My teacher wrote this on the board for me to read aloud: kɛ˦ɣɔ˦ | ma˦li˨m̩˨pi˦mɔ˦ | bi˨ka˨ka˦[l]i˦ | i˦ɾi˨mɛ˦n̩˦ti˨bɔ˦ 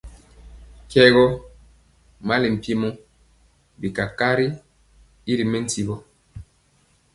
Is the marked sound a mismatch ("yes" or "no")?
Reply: yes